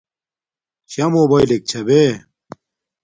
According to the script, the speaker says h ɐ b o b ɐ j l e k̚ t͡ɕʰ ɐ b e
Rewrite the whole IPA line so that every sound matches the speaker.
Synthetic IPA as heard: ɕ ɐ m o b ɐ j l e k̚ t͡ɕʰ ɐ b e